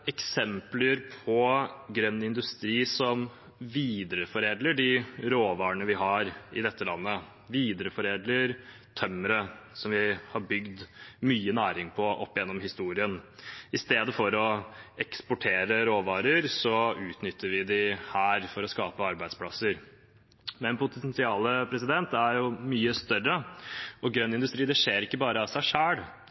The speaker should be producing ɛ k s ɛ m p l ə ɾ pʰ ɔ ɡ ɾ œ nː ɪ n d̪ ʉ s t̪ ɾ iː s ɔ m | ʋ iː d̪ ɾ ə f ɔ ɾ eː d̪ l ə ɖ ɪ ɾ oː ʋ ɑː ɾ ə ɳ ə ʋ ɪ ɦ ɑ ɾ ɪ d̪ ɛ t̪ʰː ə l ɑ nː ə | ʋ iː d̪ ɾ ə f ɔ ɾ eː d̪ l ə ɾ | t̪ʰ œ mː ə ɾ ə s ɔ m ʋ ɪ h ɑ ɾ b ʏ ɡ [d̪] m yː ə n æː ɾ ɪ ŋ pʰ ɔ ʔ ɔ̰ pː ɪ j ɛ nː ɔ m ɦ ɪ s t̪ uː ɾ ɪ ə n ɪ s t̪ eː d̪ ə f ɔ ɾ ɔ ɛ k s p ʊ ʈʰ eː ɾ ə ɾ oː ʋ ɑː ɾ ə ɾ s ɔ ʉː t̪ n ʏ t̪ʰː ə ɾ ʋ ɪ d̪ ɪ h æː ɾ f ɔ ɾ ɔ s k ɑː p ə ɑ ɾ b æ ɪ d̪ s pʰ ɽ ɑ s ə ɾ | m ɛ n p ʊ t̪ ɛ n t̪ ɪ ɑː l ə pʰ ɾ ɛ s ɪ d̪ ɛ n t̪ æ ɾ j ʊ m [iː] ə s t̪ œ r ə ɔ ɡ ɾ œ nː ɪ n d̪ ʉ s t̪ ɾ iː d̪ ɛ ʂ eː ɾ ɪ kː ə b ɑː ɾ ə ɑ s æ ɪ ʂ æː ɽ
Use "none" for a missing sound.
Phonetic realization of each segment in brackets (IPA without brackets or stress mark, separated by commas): d̪, yː